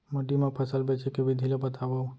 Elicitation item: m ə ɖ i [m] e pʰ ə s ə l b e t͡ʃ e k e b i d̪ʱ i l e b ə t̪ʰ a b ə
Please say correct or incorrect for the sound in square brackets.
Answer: correct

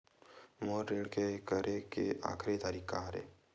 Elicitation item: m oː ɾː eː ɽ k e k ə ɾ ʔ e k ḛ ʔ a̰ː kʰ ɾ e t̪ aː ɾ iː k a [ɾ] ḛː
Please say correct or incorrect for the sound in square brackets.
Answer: correct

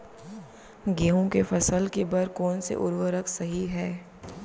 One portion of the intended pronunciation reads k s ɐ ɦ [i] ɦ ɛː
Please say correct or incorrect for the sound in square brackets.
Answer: correct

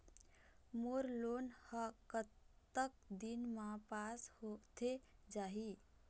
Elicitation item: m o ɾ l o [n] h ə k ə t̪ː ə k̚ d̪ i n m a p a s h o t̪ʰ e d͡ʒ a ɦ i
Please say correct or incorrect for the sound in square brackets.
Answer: correct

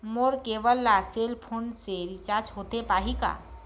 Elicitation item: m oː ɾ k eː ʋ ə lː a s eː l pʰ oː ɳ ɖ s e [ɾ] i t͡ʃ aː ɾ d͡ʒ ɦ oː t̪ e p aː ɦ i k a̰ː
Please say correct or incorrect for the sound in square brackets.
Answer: correct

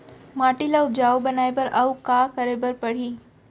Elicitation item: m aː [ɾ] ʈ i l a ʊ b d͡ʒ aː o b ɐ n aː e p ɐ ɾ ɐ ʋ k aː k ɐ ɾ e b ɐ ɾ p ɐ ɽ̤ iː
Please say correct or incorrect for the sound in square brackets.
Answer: incorrect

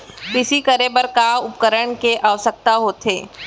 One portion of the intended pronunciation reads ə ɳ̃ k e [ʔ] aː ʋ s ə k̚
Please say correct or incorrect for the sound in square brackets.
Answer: correct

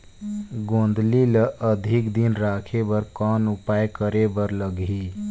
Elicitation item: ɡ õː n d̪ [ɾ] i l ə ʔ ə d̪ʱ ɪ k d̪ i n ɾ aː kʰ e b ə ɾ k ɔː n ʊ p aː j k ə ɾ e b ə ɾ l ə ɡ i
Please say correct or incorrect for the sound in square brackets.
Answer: incorrect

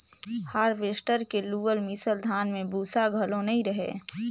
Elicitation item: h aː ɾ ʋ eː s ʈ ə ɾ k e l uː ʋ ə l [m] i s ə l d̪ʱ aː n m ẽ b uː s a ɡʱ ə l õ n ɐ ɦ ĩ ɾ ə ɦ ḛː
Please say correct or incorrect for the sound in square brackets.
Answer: correct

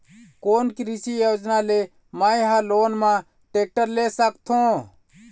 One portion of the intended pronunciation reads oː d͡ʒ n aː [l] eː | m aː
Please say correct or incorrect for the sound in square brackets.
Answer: correct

